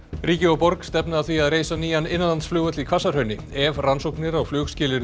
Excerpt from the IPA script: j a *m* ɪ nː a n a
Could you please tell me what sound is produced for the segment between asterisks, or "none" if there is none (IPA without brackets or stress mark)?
n